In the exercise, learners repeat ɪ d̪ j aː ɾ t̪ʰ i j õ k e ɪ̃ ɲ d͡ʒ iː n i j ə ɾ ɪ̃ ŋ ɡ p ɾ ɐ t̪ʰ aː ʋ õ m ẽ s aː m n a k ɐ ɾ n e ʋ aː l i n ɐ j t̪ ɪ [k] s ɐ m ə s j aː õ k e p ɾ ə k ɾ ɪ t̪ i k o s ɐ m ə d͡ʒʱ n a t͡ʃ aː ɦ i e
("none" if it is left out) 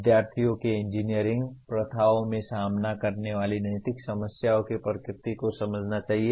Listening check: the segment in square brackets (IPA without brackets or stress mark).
k